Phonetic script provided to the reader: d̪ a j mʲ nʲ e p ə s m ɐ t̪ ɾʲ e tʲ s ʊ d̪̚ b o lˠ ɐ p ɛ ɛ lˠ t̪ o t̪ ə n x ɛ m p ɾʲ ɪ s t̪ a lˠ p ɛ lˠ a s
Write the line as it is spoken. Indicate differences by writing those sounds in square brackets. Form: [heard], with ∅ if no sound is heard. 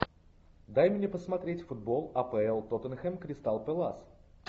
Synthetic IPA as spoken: d̪ a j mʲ nʲ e p ə s m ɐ t̪ ɾʲ e tʲ [f] ʊ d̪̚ b o lˠ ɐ p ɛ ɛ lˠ t̪ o t̪ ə n x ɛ m [k] ɾʲ ɪ s t̪ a lˠ p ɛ lˠ a s

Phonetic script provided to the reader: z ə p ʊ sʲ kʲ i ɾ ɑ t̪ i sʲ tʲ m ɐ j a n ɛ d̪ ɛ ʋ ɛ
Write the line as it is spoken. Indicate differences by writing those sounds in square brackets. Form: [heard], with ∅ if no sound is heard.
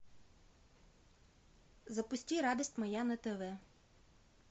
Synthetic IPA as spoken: z [ɐ] p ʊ sʲ [tʲ] i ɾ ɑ [d̪] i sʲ tʲ m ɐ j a n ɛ [t̪] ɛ ʋ ɛ

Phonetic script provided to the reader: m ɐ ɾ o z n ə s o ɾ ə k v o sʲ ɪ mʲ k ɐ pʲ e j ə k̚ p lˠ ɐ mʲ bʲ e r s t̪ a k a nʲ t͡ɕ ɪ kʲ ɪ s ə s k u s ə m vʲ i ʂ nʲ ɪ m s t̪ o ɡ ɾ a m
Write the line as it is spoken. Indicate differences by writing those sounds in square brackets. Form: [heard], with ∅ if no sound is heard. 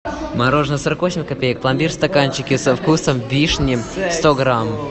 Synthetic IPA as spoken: m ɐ ɾ o [ʐ] n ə s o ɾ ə k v o sʲ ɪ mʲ k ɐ pʲ e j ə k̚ p lˠ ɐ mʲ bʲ [i] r s t̪ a k a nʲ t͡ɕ ɪ kʲ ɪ s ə [f] k u s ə m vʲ i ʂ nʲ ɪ m s t̪ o ɡ ɾ a m

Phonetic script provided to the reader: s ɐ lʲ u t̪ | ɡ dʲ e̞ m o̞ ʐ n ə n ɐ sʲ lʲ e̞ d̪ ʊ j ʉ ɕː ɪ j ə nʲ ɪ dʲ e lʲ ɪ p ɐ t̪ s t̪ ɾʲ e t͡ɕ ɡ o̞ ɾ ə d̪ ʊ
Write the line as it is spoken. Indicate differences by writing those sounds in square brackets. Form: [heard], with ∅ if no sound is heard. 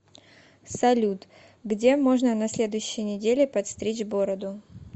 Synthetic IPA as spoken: s ɐ lʲ u t̪ | ɡ dʲ e̞ m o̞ ʐ n ə n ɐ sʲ lʲ e̞ d̪ ʊ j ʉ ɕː ɪ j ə nʲ ɪ dʲ e lʲ ɪ p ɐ t̪ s t̪ ɾʲ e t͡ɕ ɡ o̞ ɾ ə d̪ ʊ

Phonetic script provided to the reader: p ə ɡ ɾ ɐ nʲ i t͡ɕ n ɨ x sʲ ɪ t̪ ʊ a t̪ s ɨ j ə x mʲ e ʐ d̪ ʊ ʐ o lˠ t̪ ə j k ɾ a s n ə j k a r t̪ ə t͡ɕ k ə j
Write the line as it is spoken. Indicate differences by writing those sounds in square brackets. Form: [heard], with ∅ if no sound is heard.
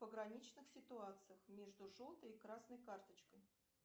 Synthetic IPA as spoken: p ə ɡ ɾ ɐ nʲ i t͡ɕ n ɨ x sʲ ɪ t̪ ʊ a t̪ s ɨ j ə x mʲ e ʐ d̪ ʊ ʐ o lˠ t̪ ə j k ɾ a s n ə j k a r t̪ ə t͡ɕ k ə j

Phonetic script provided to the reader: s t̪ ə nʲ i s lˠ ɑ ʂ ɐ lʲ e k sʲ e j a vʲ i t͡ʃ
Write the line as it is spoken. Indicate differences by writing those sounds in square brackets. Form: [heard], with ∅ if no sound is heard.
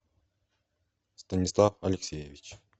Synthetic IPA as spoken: s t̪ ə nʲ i s lˠ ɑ [f] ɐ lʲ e k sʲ e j [e] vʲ i t͡ʃ

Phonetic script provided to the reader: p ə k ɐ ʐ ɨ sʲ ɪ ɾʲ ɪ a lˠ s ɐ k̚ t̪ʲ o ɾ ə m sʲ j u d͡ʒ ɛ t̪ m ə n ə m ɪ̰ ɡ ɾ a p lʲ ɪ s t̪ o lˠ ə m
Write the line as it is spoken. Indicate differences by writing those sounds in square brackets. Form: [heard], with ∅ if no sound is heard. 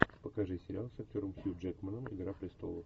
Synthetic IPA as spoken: p ə k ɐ ʐ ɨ sʲ ɪ ɾʲ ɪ a lˠ s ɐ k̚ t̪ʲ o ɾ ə m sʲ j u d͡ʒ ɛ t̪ m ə n ə m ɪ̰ ɡ ɾ a p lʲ ɪ s t̪ o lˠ ə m

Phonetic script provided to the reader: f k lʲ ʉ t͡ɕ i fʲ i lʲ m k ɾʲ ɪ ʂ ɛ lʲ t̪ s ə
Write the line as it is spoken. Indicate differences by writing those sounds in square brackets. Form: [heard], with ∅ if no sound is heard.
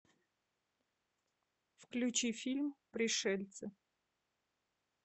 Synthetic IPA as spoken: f k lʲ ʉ t͡ɕ i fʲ i lʲ m [p] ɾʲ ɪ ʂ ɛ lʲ t̪ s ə

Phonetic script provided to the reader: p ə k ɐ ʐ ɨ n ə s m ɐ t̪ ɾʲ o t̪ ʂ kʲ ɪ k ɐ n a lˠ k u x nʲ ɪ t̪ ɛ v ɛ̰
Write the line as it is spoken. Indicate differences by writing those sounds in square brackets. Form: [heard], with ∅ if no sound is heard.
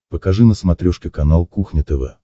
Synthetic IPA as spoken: p ə k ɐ ʐ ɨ n ə s m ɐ t̪ ɾʲ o [∅] ʂ kʲ ɪ k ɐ n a lˠ k u x nʲ ɪ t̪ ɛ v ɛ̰

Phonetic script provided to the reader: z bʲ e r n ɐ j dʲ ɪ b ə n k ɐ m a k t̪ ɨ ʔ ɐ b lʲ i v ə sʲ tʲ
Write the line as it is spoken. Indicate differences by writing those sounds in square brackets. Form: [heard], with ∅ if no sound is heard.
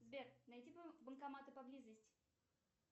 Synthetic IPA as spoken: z bʲ e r n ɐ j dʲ [i] b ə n k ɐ m a [∅] t̪ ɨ [p] ɐ b lʲ i [z] ə sʲ tʲ

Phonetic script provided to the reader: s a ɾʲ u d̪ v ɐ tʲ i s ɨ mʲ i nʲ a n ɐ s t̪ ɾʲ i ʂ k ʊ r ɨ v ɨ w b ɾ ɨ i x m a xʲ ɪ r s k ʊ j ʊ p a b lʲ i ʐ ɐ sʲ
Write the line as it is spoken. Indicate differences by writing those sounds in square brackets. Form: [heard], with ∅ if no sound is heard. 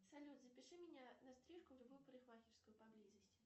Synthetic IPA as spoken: s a [lʲ] u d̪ [z] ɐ [pʲ] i [ʂ] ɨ mʲ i nʲ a n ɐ s t̪ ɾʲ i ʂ k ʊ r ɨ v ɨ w [p] ɾ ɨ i x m a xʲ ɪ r s k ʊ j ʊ p a b lʲ i [z] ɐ sʲ

